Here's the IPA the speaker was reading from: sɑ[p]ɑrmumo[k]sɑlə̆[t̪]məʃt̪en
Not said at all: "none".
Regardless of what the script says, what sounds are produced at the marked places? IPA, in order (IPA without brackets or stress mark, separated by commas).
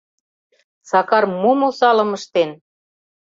k, none, none